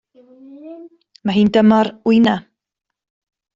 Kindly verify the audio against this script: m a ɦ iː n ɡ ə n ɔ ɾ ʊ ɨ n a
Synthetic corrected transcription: m a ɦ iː n d ə m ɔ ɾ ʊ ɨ n a

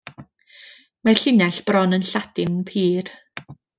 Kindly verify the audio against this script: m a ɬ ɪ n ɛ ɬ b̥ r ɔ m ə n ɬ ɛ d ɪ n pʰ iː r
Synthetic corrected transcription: m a ɬ ɪ n ɛ ɬ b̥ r ɔ n ə n ɬ a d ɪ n pʰ iː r

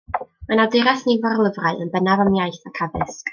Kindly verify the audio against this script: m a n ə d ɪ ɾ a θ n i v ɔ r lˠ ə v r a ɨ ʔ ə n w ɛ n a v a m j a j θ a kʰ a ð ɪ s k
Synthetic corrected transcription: m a n a d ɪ ɾ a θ n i v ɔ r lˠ ə v r a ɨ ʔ ə n b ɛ n a v a m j a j θ a kʰ a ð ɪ s k

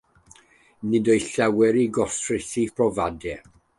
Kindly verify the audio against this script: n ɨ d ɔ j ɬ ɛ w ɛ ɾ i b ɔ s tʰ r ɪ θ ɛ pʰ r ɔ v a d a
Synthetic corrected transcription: n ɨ d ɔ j ɬ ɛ w ɛ ɾ i ɡ ɔ s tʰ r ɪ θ i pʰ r ɔ v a d ɛ

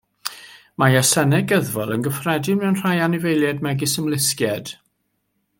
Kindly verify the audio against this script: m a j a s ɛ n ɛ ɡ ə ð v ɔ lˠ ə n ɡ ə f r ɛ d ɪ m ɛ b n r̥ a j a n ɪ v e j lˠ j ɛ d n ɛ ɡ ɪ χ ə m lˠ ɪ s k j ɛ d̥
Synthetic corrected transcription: m a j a s ɛ n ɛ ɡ ə ð v ɔ lˠ ə n ɡ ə f r ɛ d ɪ m ɛ w n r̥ a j a n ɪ v e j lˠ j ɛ d m ɛ ɡ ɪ s ə m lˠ ɪ s k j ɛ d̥

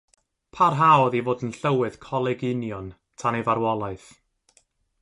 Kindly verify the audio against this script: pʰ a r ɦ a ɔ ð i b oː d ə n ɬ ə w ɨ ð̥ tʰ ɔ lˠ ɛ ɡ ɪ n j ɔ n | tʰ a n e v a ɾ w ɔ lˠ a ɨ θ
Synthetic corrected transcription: pʰ a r ɦ a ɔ ð i v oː d ə n ɬ ə w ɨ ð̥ kʰ ɔ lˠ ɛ ɡ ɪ n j ɔ n | tʰ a n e v a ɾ w ɔ lˠ a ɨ θ

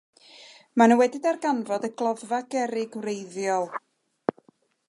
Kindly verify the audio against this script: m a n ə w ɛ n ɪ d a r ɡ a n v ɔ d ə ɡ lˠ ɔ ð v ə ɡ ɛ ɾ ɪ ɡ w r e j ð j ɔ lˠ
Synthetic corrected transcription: m a n ə w ɛ d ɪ d a r ɡ a n v ɔ d ə ɡ lˠ ɔ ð v a ɡ ɛ ɾ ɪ ɡ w r e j ð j ɔ lˠ

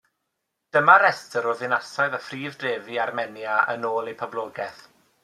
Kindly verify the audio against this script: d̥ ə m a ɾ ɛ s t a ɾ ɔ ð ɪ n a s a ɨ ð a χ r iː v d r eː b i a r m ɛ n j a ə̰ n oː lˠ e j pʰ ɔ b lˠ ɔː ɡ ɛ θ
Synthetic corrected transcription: d̥ ə m a ɾ ɛ s t ə ɾ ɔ ð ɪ n a s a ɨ ð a f r iː v d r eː v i a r m ɛ n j a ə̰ n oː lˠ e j pʰ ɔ b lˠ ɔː ɡ ɛ θ

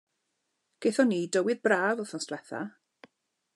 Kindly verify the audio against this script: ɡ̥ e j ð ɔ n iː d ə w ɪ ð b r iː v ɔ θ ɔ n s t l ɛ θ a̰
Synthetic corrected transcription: ɡ̥ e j θ ɔ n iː d ə w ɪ ð b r aː v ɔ θ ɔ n s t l ɛ θ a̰

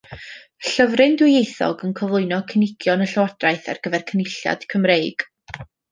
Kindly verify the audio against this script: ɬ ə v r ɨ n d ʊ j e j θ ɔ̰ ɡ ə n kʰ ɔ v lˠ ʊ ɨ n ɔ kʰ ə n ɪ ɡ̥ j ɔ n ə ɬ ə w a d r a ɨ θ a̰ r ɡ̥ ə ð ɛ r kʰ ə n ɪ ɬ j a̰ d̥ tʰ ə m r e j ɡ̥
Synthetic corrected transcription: ɬ ə v r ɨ n d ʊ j e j θ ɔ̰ ɡ ə n kʰ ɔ v lˠ ʊ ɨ n ɔ kʰ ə n ɪ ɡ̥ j ɔ n ə ɬ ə w a d r a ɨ θ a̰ r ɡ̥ ə v ɛ r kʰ ə n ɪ ɬ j a̰ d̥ kʰ ə m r e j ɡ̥

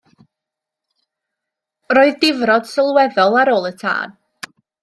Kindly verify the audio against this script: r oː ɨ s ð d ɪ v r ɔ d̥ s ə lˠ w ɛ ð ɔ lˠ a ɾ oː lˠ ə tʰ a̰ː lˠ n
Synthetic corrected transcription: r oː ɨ ð d ɪ v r ɔ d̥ s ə lˠ w ɛ ð ɔ lˠ a ɾ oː lˠ ə tʰ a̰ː n

